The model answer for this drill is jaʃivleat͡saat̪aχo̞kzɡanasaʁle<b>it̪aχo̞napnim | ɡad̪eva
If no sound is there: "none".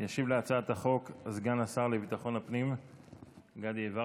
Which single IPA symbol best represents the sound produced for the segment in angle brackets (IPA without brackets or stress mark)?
v